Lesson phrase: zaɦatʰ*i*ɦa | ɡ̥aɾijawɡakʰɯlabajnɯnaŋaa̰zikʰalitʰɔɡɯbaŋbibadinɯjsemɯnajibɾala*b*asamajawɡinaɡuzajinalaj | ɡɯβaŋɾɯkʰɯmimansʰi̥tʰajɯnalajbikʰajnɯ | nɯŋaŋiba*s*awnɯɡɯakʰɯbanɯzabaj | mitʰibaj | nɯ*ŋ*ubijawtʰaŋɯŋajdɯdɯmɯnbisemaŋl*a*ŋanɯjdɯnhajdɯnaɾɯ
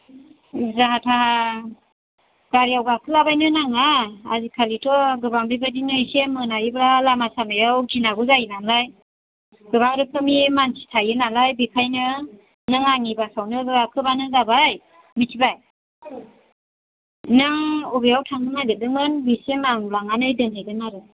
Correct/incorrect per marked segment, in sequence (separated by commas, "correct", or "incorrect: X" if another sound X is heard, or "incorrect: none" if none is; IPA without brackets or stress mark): incorrect: a, incorrect: m, correct, correct, correct